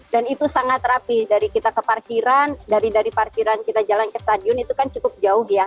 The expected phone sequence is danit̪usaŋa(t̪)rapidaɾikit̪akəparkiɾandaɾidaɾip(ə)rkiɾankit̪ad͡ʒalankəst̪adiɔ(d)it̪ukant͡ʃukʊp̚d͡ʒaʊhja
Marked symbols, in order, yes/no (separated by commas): yes, no, no